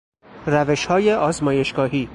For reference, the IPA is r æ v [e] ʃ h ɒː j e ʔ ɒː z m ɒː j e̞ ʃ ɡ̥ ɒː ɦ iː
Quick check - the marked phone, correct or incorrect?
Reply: correct